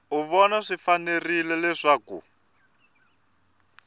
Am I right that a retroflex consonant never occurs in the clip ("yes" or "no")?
no